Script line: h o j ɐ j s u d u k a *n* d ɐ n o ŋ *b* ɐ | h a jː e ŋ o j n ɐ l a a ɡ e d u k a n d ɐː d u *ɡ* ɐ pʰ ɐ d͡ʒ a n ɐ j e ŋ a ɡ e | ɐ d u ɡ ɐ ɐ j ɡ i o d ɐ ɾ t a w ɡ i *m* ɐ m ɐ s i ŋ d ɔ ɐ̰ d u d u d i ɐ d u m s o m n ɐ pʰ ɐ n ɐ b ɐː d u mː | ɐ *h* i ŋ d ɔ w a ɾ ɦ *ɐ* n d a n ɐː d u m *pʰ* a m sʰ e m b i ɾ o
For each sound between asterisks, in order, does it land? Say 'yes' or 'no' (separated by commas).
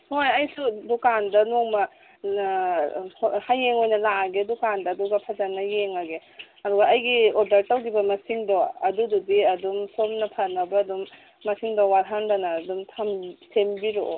yes, no, yes, no, no, no, no